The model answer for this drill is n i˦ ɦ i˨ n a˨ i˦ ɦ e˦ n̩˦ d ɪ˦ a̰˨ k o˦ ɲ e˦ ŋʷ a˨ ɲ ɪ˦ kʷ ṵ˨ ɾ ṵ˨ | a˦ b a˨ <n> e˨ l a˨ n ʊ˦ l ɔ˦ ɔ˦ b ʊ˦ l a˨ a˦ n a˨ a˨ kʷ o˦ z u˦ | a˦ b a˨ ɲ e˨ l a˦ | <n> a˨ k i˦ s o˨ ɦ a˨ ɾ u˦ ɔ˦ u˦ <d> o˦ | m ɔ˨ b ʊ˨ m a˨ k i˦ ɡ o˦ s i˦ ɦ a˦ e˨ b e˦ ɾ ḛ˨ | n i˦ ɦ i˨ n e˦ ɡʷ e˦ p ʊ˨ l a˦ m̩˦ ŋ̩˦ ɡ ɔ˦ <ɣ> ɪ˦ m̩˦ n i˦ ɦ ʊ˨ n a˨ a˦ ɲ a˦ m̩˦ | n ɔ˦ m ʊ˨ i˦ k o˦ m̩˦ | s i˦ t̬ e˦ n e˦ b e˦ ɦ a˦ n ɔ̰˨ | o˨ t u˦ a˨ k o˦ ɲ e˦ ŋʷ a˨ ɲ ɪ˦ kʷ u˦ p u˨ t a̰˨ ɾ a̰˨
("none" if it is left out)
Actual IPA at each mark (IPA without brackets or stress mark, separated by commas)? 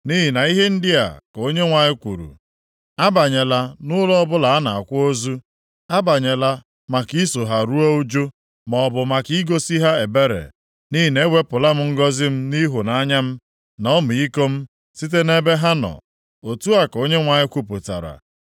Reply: ɲ, m, d͡ʒ, z